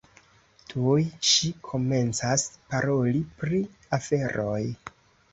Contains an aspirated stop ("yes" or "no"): yes